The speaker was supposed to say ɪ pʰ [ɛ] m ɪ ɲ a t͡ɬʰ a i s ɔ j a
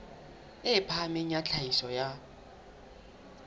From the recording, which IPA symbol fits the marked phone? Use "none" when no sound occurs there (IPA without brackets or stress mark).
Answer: a